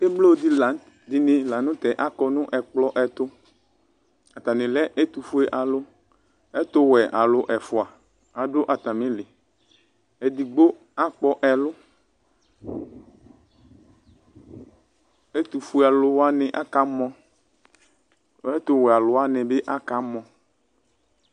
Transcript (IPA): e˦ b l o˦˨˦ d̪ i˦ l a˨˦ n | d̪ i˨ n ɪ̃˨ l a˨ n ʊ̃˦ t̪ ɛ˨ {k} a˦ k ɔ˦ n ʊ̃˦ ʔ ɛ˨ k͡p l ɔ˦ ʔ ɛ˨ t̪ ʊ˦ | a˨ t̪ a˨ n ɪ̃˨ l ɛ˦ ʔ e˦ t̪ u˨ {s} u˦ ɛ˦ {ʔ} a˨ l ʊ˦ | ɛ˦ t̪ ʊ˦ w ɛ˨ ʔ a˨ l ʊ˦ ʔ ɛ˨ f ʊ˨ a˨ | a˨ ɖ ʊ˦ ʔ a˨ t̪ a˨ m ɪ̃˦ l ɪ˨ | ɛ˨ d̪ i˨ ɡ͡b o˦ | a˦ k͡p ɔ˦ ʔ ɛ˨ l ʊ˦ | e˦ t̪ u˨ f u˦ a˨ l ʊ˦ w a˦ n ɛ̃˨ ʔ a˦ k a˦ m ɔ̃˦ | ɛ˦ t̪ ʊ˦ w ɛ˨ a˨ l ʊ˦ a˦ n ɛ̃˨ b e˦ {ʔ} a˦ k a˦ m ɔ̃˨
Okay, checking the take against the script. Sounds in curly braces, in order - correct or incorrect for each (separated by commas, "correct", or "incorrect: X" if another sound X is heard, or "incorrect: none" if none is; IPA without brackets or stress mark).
incorrect: ʔ, incorrect: f, correct, correct